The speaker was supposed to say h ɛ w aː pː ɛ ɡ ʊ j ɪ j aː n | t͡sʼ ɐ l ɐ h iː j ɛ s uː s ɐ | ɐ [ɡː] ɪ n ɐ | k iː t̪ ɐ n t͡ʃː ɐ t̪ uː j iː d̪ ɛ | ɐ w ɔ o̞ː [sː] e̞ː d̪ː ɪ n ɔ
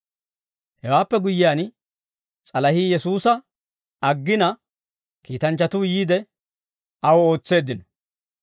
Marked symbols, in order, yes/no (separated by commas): yes, no